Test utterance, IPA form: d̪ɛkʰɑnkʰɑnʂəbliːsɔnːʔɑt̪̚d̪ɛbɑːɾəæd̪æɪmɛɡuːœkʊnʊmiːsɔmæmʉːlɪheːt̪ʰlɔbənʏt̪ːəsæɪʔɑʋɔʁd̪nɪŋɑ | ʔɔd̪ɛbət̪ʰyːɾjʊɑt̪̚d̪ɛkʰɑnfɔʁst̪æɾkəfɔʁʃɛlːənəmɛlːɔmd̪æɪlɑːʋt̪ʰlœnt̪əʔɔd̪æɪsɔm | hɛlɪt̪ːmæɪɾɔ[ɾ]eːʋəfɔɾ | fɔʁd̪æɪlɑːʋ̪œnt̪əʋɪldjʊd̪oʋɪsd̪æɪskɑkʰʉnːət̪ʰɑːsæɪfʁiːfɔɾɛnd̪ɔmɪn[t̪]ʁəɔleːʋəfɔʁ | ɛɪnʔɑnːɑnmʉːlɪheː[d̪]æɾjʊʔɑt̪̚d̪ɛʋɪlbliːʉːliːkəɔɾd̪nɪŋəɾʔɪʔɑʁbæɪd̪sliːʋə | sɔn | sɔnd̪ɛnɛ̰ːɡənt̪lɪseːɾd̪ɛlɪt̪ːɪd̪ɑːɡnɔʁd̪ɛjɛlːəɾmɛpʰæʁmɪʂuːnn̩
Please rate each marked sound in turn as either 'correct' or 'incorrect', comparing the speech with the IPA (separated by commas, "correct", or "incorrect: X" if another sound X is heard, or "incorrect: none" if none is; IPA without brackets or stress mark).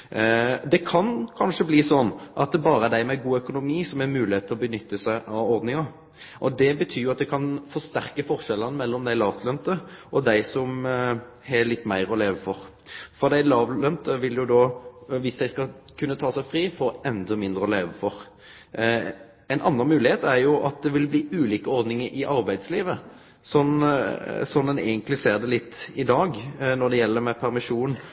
incorrect: l, incorrect: d̪, incorrect: t̪